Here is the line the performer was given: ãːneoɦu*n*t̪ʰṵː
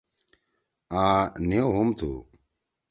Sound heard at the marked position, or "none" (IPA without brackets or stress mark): m